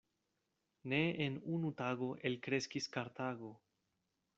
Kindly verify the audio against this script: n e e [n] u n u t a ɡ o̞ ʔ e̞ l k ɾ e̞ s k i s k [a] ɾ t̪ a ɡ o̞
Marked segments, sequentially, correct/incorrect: correct, correct

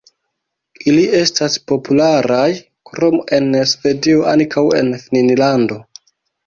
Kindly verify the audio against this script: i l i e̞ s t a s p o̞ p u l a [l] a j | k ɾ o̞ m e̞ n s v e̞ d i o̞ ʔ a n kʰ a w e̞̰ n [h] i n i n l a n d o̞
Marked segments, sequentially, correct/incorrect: incorrect: ɾ, incorrect: f

